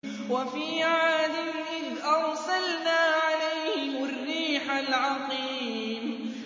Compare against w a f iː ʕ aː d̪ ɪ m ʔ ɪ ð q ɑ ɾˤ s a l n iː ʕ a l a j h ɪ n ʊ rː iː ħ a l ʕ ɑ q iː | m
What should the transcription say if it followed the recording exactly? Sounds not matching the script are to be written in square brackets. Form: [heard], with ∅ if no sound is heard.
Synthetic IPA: w a f iː ʕ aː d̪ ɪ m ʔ ɪ ð [ʔ] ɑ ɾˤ s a l n [aː] ʕ a l a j h ɪ [m] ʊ rː iː ħ a l ʕ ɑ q iː | m